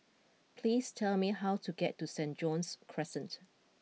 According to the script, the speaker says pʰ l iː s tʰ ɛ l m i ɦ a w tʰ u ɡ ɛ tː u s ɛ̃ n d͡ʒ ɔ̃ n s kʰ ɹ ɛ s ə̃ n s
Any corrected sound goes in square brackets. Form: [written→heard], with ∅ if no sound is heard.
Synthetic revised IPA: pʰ l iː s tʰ ɛ l m i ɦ a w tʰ u ɡ ɛ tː u s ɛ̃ n d͡ʒ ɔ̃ n s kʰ ɹ ɛ s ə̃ n [s→t]